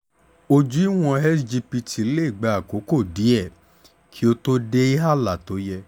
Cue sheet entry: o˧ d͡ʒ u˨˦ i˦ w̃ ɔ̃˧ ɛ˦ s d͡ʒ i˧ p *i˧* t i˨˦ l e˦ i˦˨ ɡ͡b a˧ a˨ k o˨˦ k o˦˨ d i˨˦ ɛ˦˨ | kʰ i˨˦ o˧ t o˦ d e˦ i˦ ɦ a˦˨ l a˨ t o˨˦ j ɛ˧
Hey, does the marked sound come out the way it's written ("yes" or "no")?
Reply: yes